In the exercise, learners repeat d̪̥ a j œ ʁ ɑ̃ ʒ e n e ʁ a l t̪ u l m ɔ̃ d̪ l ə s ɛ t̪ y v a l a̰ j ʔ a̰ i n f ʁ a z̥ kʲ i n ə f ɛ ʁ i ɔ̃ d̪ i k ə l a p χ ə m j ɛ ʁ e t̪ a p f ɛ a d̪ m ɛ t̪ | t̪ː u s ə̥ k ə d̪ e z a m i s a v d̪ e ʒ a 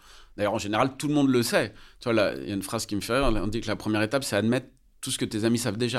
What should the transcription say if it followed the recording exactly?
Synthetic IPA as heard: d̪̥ a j œ ʁ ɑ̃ ʒ e n e ʁ a l t̪ u l m ɔ̃ d̪ l ə s ɛ t̪ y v a l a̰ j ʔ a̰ y n f χ a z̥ kʲ i m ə f ɛ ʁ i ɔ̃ d̪ i k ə l a p χ ə m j ɛ ʁ e t̪ a p s ɛ a d̪ m ɛ t̪ | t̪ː u s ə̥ k ə t̪ e z a m i s a v d̪ e ʒ a